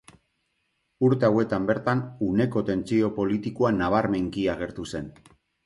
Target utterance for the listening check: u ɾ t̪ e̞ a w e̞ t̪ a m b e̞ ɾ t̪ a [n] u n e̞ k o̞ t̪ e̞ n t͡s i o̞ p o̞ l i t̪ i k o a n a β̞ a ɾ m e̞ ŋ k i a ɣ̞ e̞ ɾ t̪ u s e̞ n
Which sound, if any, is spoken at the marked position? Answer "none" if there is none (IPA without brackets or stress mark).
n